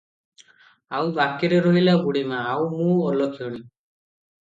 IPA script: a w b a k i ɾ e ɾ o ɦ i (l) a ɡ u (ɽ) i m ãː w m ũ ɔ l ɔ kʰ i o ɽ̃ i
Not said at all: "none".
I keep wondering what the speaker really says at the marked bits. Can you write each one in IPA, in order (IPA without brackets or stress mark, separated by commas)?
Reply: l, ɽ